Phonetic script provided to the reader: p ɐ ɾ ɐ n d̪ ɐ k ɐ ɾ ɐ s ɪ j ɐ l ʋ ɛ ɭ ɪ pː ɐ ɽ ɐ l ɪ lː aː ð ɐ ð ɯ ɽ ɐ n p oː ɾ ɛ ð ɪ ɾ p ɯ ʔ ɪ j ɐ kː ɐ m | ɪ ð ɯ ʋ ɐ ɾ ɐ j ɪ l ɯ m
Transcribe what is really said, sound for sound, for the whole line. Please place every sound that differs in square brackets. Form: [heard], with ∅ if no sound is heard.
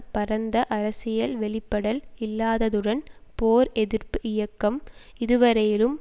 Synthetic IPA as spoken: p ɐ ɾ ɐ n d̪ ɐ [ʔ] ɐ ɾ ɐ s ɪ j ɐ l ʋ ɛ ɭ ɪ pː ɐ ɽ ɐ l ɪ lː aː ð ɐ ð ɯ ɽ ɐ n p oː ɾ ɛ ð ɪ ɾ p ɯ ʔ ɪ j ɐ kː ɐ m | ɪ ð ɯ ʋ ɐ ɾ ɐ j ɪ l ɯ m